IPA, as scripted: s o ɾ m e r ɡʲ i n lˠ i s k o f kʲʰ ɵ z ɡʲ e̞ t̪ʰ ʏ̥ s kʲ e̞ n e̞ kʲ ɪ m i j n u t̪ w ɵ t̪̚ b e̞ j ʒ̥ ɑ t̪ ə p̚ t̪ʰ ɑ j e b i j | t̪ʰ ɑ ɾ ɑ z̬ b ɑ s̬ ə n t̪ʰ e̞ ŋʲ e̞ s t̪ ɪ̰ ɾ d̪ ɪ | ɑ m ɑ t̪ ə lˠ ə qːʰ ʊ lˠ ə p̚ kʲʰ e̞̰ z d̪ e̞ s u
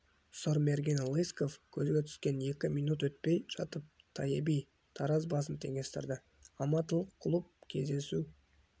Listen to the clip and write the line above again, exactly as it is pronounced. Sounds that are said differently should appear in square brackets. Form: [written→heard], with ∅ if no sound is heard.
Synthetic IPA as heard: s o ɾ m e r ɡʲ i n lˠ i s k o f kʲʰ ɵ z ɡʲ e̞ t̪ʰ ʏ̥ s kʲ e̞ n e̞ kʲ ɪ m i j n u t̪ w ɵ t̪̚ [b→p] e̞ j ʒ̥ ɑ t̪ ə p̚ t̪ʰ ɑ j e b i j | t̪ʰ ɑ ɾ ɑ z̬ b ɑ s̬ ə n t̪ʰ e̞ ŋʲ e̞ s t̪ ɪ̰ ɾ d̪ ɪ | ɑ m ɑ t̪ ə lˠ ə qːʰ ʊ lˠ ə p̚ kʲʰ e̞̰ z d̪ e̞ s u